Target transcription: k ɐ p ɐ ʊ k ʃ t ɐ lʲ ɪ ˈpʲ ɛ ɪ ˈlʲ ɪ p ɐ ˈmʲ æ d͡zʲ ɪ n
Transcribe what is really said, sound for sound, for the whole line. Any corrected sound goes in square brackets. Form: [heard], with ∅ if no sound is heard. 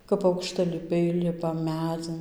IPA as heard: k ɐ p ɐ ʊ k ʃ t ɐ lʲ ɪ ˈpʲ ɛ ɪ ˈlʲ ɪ p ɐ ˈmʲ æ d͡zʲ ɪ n